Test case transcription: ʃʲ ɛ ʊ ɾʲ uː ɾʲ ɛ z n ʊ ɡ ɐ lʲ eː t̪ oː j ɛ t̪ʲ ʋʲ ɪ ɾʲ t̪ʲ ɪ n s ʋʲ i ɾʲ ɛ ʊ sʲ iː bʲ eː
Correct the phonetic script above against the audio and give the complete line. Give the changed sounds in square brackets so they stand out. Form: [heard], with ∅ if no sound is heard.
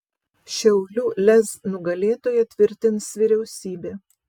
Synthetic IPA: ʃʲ ɛ ʊ [lʲ] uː [lʲ] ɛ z n ʊ ɡ ɐ lʲ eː t̪ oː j ɛ t̪ʲ ʋʲ ɪ ɾʲ t̪ʲ ɪ n s ʋʲ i ɾʲ ɛ ʊ sʲ iː bʲ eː